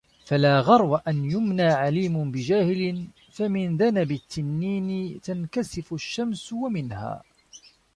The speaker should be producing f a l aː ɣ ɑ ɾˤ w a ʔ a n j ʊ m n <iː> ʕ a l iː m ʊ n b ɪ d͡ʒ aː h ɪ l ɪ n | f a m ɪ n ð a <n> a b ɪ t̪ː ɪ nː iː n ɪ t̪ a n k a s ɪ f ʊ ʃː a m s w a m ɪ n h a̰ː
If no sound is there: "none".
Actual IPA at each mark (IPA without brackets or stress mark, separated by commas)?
aː, n